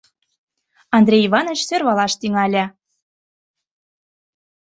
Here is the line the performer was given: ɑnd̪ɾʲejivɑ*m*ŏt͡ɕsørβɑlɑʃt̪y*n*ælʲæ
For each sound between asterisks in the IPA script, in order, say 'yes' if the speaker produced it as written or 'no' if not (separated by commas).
no, no